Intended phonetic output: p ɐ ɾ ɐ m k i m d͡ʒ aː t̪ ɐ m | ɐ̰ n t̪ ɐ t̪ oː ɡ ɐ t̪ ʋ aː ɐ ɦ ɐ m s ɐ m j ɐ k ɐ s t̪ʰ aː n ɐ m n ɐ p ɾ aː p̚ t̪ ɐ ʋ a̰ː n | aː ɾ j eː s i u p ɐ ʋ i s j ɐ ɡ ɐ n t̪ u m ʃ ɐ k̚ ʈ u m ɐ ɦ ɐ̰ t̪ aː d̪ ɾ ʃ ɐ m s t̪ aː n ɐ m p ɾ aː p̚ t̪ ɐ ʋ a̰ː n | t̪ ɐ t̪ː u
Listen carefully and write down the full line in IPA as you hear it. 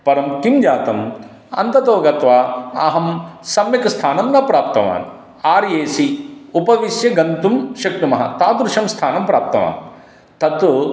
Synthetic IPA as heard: p ɐ ɾ ɐ m k i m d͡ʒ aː t̪ ɐ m | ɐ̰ n t̪ ɐ t̪ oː ɡ ɐ t̪ ʋ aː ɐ ɦ ɐ m s ɐ m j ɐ k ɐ s t̪ʰ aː n ɐ m n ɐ p ɾ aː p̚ t̪ ɐ ʋ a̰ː n | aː ɾ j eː s i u p ɐ ʋ i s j ɐ ɡ ɐ n t̪ u m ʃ ɐ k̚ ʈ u m ɐ ɦ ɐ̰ t̪ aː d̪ ɾ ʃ ɐ m s t̪ʰ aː n ɐ m p ɾ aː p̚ t̪ ɐ ʋ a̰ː n | t̪ ɐ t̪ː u